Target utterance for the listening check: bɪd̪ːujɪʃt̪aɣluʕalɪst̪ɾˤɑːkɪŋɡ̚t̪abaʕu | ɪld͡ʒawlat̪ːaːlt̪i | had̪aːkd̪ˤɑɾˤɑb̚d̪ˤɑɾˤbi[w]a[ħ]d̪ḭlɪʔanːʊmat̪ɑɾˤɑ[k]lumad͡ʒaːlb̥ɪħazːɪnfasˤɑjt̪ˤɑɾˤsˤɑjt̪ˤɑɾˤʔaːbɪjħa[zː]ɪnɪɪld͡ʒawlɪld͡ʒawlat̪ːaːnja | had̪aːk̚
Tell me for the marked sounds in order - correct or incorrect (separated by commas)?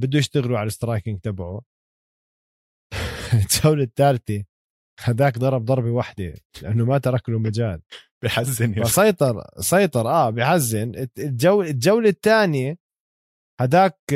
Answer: correct, correct, correct, correct